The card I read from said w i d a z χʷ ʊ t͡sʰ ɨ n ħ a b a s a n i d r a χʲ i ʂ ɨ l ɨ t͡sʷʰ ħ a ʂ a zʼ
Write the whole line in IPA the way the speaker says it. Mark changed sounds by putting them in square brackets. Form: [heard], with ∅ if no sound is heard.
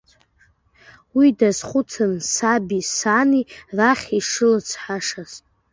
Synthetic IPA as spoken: w i d a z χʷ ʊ t͡sʰ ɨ n [s] a b [i] s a n i [∅] r a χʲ i ʂ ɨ l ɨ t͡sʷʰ ħ a ʂ a zʼ